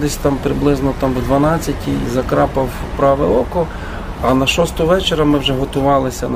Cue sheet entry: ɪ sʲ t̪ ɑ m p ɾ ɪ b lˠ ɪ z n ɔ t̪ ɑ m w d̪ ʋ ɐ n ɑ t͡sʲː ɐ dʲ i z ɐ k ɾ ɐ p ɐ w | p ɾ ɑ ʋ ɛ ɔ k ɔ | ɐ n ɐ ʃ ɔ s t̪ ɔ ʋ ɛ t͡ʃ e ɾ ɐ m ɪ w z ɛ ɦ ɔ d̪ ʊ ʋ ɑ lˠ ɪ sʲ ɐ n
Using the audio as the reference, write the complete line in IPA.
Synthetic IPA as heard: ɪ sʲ t̪ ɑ m p ɾ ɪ b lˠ ɪ z n ɔ t̪ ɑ m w d̪ ʋ ɐ n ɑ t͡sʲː ɐ tʲ i z ɐ k ɾ ɑ p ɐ w | p ɾ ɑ ʋ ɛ ɔ k ɔ | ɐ n ɐ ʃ ɔ s t̪ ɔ ʋ ɛ t͡ʃ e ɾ ɐ m ɪ w ʒ ɛ ɦ ɔ t̪ ʊ ʋ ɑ lˠ ɪ sʲ ɐ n